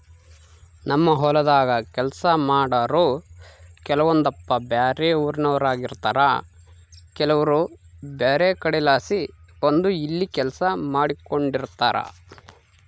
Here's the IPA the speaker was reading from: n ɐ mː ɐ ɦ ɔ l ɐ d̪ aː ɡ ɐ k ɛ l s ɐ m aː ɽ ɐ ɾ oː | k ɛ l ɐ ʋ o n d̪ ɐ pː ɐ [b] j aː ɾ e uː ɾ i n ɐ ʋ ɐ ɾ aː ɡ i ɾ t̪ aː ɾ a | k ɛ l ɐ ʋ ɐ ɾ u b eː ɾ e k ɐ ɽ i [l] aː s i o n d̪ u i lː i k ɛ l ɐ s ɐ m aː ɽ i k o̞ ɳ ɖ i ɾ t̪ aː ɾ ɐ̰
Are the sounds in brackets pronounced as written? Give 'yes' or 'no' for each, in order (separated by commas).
yes, yes